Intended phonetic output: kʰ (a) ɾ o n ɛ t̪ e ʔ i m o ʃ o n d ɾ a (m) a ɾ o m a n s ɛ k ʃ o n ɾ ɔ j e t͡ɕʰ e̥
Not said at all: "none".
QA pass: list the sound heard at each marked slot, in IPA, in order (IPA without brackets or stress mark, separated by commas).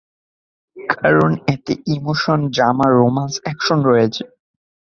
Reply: a, m